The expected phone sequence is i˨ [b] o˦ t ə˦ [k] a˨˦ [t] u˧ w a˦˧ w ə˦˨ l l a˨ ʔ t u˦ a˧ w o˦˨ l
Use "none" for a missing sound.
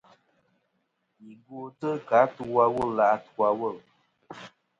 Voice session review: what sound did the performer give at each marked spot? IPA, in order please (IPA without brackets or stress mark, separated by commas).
ɡ, k, t